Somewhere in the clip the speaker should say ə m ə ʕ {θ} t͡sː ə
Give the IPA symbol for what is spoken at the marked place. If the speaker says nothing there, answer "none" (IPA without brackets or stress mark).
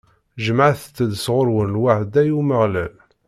θ